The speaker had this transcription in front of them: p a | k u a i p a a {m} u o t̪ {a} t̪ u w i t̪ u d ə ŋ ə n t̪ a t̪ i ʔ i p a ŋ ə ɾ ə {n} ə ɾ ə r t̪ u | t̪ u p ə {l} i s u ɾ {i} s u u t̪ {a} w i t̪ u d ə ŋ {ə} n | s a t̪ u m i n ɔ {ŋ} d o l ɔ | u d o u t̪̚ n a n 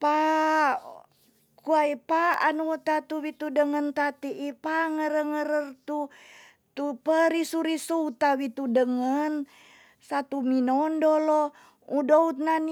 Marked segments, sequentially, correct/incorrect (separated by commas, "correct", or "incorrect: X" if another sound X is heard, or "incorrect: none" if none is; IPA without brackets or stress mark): incorrect: n, correct, incorrect: ŋ, incorrect: ɾ, correct, correct, correct, incorrect: n